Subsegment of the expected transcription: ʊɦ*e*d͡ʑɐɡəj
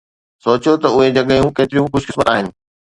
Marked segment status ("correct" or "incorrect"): correct